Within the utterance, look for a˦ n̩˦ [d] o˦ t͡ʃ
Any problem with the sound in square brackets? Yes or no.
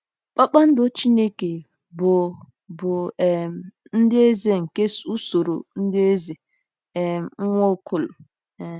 no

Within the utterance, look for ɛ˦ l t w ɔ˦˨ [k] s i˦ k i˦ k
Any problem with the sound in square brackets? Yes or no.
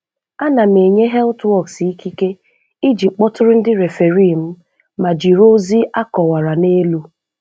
no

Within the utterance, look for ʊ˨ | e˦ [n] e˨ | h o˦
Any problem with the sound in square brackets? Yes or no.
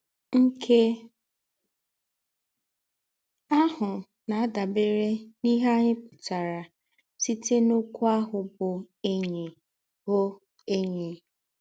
yes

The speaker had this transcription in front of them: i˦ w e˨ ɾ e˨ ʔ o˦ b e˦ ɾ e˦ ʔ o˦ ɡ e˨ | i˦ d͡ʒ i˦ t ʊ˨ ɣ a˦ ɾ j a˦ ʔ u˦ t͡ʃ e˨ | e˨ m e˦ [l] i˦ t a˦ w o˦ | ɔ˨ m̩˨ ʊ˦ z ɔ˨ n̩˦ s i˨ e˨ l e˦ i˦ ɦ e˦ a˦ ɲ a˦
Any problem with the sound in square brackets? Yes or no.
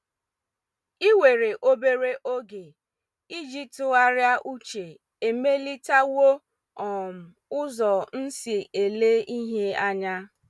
no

